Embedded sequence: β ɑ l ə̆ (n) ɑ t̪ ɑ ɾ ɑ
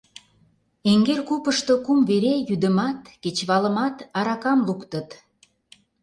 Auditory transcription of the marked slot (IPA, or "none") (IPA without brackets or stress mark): m